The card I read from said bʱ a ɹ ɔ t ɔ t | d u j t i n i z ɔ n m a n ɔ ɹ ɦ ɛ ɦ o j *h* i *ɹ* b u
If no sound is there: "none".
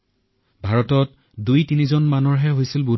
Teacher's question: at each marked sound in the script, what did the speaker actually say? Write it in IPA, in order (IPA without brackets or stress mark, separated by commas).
s, l